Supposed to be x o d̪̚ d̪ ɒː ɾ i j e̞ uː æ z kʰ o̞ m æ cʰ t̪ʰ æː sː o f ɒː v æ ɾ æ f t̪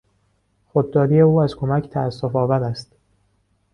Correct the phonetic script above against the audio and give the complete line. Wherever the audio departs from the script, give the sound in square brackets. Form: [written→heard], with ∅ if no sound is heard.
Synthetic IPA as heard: x o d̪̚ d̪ ɒː ɾ i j e̞ uː æ z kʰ o̞ m æ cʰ t̪ʰ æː sː o f ɒː v æ ɾ æ [f→s] t̪